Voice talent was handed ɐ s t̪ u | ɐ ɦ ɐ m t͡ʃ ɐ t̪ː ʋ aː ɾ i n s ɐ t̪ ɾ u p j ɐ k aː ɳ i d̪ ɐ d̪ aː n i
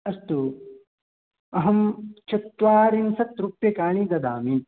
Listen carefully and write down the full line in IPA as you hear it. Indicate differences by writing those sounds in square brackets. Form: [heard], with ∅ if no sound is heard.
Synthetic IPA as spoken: ɐ s t̪ u | ɐ ɦ ɐ m t͡ʃ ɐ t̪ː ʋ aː ɾ i n s ɐ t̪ ɾ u p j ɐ k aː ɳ i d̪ ɐ d̪ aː [m] i

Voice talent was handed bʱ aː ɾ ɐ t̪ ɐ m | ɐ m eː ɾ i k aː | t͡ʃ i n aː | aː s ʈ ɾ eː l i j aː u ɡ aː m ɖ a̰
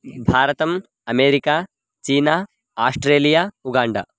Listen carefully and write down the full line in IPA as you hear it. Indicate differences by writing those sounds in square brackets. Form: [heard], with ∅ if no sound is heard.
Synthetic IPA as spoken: bʱ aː ɾ ɐ t̪ ɐ m | ɐ m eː ɾ i k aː | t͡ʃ [iː] n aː | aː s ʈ ɾ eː l i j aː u ɡ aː [ɳ] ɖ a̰

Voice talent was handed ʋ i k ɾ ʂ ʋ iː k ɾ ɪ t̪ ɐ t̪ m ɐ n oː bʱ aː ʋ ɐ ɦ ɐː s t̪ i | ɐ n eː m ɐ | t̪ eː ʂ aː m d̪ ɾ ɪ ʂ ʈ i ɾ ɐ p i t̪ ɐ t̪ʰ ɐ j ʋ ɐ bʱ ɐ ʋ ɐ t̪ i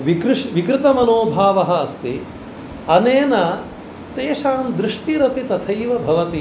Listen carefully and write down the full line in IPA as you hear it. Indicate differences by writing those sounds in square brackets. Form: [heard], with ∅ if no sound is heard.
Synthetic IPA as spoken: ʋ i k ɾ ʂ ʋ [i] k ɾ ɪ t̪ ɐ [∅] m ɐ n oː bʱ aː ʋ ɐ ɦ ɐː s t̪ i | ɐ n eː [n] ɐ | t̪ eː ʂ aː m d̪ ɾ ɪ ʂ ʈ i ɾ ɐ p i t̪ ɐ t̪ʰ ɐ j ʋ ɐ bʱ ɐ ʋ ɐ t̪ i

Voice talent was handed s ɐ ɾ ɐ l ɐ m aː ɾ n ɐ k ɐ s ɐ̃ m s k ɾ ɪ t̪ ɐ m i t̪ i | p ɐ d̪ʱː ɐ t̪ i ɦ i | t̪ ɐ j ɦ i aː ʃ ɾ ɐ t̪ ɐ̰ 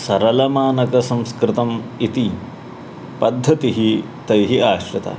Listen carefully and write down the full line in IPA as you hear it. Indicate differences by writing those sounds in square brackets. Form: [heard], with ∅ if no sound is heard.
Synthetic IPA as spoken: s ɐ ɾ ɐ l ɐ m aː [∅] n ɐ k ɐ s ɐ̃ m s k ɾ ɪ t̪ ɐ m i t̪ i | p ɐ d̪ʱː ɐ t̪ i ɦ i | t̪ ɐ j ɦ i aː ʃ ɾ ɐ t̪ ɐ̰

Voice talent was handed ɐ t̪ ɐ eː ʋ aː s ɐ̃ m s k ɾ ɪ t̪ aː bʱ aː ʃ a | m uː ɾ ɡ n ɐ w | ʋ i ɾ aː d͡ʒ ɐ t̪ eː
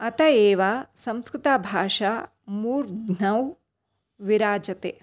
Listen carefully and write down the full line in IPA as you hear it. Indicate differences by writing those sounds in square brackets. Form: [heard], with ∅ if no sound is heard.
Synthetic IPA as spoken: ɐ t̪ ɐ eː ʋ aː s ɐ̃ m s k ɾ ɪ t̪ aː bʱ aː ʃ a | m uː ɾ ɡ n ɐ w | ʋ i ɾ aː d͡ʒ ɐ t̪ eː

